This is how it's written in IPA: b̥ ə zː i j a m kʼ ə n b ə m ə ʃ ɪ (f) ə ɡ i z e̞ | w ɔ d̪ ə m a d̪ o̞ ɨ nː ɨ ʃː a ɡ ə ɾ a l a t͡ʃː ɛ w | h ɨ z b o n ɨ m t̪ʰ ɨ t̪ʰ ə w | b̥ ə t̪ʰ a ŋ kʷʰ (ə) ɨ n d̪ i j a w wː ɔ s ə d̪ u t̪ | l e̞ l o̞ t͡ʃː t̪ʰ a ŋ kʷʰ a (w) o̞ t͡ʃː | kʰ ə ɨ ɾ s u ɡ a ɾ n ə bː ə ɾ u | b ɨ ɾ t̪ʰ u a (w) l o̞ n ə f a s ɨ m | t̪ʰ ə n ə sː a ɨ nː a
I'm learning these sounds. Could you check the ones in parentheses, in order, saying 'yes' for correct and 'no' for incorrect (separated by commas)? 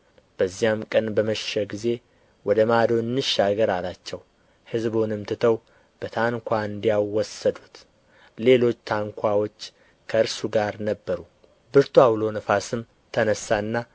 no, no, yes, yes